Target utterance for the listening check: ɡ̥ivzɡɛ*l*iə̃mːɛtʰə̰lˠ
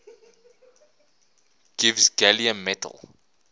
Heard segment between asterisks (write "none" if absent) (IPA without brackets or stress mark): l